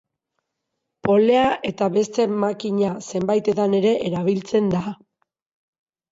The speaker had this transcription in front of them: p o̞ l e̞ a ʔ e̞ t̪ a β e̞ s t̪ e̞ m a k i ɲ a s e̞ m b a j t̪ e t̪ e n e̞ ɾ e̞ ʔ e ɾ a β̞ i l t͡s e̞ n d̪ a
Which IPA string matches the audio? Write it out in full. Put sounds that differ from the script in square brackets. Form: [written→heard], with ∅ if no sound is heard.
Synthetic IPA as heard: p o̞ l e̞ a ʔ e̞ t̪ a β e̞ s t̪ e̞ m a k i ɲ a s e̞ m b a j t̪ e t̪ [e→a] n e̞ ɾ e̞ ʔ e ɾ a β̞ i l t͡s e̞ n d̪ a